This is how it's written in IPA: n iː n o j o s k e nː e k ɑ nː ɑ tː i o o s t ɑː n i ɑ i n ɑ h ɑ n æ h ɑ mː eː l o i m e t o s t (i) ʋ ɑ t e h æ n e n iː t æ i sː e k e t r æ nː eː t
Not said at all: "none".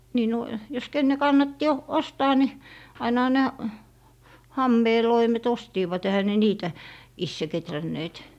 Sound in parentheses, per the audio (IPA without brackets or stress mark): iː